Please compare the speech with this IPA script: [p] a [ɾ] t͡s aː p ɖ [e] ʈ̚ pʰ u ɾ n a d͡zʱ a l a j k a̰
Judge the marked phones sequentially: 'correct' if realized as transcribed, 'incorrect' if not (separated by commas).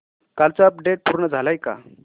incorrect, incorrect, correct